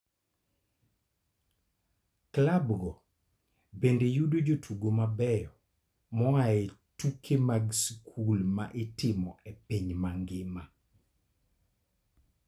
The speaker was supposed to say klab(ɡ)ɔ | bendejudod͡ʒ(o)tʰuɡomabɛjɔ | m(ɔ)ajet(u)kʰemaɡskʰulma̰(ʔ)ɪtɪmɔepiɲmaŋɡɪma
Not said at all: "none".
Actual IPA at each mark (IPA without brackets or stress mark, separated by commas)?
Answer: ɡ, o, ɔ, u, ʔ